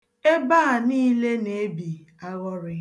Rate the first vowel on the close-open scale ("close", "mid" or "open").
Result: mid